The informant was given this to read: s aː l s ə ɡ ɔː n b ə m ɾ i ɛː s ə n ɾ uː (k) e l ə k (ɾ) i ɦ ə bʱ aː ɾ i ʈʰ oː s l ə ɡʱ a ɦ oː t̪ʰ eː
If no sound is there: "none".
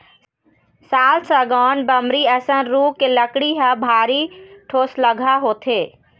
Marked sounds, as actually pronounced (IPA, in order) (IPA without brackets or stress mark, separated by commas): k, ɽ